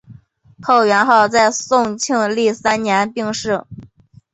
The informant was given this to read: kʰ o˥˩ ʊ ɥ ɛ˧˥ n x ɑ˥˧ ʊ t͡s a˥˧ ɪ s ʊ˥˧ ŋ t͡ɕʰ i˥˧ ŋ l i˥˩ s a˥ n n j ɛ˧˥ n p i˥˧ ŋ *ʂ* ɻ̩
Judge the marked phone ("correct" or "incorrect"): correct